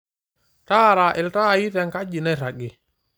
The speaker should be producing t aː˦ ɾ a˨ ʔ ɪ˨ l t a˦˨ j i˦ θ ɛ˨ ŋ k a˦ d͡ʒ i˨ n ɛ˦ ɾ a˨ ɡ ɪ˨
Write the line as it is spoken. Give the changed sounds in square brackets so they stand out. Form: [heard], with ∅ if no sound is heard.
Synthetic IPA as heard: t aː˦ ɾ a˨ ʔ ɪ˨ l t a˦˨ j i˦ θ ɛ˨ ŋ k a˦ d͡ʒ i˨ n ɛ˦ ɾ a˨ ɡ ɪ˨